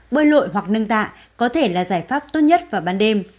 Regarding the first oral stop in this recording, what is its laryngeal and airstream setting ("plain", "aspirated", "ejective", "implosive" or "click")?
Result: implosive